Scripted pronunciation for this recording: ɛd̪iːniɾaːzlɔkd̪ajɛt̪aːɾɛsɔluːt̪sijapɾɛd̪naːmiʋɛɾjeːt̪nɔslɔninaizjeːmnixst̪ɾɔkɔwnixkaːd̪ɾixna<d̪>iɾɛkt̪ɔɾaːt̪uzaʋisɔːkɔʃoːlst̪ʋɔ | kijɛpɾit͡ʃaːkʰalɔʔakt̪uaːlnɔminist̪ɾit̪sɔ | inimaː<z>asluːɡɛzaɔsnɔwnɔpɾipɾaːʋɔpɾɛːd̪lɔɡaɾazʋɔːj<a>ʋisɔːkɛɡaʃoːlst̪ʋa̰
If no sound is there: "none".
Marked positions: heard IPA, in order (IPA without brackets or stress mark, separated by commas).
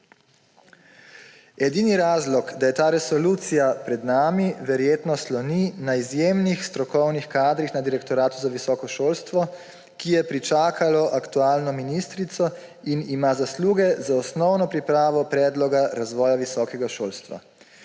d̪, z, a